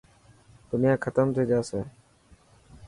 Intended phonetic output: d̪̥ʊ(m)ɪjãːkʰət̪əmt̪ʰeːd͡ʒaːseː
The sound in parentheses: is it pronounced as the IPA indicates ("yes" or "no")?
no